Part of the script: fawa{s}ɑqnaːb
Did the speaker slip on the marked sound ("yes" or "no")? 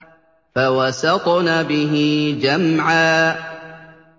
no